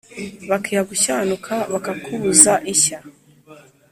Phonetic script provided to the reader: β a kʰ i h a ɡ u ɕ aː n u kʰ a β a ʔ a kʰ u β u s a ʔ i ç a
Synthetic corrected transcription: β a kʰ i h a ɡ u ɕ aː n u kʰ a β a k a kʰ u β u z a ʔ i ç a